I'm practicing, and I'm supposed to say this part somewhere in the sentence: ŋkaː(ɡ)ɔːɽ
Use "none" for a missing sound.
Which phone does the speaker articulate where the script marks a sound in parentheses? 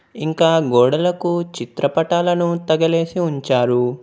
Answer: ɡ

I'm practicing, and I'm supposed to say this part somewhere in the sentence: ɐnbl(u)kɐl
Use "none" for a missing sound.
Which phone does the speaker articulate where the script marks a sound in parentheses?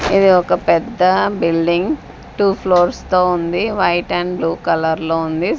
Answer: uː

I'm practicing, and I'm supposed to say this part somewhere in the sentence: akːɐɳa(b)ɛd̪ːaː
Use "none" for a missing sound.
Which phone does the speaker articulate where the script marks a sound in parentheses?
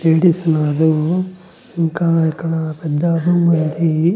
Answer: p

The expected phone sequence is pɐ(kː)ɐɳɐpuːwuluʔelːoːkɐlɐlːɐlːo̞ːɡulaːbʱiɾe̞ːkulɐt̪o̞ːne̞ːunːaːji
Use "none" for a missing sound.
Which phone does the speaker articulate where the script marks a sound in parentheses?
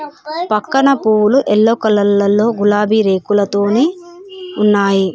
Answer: kː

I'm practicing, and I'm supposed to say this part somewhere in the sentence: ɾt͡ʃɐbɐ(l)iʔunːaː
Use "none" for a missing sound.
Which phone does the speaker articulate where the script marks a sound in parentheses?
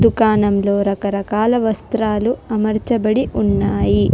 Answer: ɽ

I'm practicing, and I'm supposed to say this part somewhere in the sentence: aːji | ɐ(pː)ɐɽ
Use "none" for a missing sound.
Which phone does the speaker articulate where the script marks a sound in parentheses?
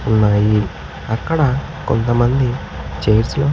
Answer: kː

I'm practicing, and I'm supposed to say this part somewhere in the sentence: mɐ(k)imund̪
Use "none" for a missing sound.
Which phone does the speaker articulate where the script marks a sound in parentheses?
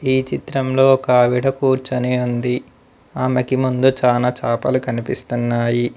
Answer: k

